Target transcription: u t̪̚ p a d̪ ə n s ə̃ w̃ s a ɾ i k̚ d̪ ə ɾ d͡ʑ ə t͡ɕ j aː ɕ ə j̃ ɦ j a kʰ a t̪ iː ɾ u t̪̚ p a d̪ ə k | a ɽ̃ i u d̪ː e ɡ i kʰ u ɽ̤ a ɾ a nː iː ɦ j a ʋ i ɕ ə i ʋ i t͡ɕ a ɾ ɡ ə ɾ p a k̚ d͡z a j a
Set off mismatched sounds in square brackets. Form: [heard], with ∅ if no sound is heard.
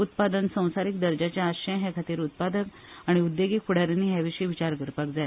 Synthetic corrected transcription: u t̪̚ p a d̪ ə n s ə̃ w̃ s a ɾ i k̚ d̪ ə ɾ d͡ʑ [a] t͡ɕ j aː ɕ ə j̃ ɦ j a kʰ a t̪ iː ɾ u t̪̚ p a d̪ ə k | a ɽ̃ i u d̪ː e ɡ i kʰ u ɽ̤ a ɾ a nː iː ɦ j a ʋ i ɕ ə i ʋ i t͡ɕ a ɾ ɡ ə ɾ p a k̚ d͡z a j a